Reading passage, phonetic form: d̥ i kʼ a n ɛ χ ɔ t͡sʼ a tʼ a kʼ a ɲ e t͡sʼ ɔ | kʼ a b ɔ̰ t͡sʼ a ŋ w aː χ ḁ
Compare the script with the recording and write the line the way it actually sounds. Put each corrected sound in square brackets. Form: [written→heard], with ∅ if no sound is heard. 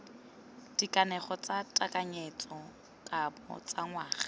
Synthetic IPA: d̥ i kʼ a n ɛ χ ɔ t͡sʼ a tʼ a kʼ a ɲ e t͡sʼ ɔ | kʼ a b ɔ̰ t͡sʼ a ŋ w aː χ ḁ